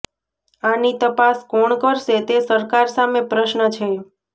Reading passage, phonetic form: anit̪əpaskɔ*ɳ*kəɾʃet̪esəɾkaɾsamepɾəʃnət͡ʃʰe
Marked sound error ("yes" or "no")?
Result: no